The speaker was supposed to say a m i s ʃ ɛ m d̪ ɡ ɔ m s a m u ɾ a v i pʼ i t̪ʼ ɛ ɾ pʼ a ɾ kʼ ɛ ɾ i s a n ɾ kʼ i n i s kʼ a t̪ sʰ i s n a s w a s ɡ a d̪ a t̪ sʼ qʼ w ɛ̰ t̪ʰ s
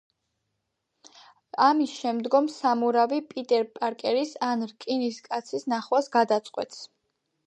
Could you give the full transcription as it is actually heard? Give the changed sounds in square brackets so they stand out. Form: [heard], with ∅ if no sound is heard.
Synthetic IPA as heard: a m i s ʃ ɛ m d̪ ɡ ɔ m s a m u ɾ a v i pʼ i t̪ʼ ɛ ɾ pʼ a ɾ kʼ ɛ ɾ i s a n ɾ kʼ i n i s kʼ a t̪ sʰ i s n a [χ] w a s ɡ a d̪ a t̪ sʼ qʼ w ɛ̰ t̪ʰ s